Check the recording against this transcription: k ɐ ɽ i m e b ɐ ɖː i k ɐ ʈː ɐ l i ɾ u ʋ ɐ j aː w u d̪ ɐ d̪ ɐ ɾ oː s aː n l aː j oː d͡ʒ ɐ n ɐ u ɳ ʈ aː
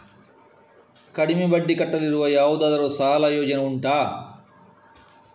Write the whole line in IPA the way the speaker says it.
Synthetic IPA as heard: k ɐ ɽ i m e b ɐ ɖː i k ɐ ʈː ɐ l i ɾ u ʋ ɐ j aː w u d̪ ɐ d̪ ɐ ɾ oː s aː l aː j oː d͡ʒ ɐ n ɐ u ɳ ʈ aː

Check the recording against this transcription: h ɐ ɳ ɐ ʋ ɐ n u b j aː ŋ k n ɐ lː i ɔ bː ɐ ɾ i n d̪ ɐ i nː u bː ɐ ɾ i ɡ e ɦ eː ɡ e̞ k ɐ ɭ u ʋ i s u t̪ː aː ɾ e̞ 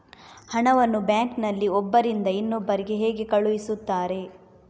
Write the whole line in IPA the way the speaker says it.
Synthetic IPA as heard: h ɐ ɳ ɐ ʋ ɐ nː u b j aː ŋ k n ɐ lː i ɔ bː ɐ ɾ i n d̪ ɐ i nː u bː ɐ ɾ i ɡ e ɦ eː ɡ e̞ k ɐ ɭ u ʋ i s u t̪ː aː ɾ e̞

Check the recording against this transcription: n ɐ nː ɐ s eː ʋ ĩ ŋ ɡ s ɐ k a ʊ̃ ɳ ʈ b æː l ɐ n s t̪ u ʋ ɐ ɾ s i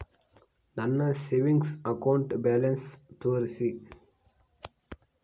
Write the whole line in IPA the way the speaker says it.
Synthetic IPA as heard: n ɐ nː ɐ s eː ʋ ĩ ŋ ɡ s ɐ k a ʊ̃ ɳ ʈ b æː l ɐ n s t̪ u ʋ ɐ ɾ s i

